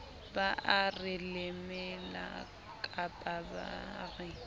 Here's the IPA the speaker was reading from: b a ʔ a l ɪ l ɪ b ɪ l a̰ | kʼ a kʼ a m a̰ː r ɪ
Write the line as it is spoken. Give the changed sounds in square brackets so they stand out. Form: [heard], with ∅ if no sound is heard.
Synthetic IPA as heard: b a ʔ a [r] ɪ l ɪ [m] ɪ l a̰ | kʼ a [pʼ] a [b] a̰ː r ɪ